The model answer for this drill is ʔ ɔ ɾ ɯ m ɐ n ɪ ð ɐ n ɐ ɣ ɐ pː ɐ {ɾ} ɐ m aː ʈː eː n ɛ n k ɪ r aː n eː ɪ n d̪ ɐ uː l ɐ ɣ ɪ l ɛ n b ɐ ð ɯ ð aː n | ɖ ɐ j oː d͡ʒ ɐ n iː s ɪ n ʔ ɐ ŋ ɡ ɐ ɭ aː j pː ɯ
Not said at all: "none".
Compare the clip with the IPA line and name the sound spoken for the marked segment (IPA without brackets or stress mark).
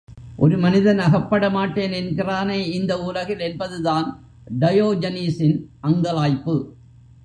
ɽ